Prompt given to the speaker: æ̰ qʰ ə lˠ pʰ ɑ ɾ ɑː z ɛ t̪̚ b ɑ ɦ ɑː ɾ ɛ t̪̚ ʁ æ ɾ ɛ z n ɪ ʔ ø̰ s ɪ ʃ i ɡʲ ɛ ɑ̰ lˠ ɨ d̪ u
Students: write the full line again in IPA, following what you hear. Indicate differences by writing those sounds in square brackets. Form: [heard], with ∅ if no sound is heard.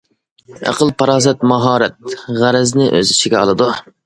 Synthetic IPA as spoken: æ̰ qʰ ə lˠ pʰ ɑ ɾ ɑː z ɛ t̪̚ [m] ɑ ɦ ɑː ɾ ɛ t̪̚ ʁ æ ɾ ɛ z n ɪ ʔ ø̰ [z] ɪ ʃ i ɡʲ ɛ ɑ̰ lˠ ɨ d̪ u